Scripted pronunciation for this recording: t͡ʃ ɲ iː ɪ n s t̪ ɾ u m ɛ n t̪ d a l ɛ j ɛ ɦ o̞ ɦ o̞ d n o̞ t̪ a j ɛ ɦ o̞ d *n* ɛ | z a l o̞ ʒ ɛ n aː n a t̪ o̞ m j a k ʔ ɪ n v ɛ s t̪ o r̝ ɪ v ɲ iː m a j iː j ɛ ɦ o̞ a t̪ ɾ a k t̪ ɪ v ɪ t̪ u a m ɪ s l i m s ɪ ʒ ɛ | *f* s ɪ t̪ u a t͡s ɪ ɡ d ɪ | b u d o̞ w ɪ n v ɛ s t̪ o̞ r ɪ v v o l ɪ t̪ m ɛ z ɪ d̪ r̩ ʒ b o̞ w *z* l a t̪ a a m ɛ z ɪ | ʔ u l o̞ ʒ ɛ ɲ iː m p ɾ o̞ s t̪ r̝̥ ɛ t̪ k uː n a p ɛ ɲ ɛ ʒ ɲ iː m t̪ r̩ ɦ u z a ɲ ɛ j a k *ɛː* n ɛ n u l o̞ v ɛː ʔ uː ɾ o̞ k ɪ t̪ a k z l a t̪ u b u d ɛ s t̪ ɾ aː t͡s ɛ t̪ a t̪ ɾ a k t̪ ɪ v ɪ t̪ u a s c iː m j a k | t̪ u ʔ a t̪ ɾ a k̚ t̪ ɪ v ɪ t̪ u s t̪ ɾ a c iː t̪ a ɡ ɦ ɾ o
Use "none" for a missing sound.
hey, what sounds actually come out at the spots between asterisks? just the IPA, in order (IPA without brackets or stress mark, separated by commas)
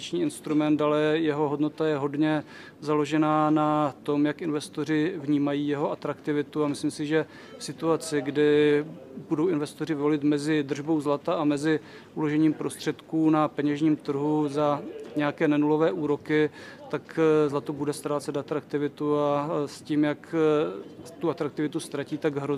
ɲ, f, z, ɛː